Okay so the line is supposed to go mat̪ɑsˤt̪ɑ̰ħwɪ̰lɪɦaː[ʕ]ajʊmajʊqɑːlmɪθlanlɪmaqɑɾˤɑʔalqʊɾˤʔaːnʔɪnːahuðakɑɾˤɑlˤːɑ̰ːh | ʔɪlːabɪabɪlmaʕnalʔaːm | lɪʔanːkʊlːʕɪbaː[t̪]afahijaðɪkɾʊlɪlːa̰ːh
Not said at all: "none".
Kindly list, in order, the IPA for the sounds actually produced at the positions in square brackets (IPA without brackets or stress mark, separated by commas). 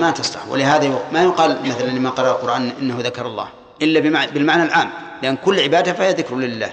ð, d̪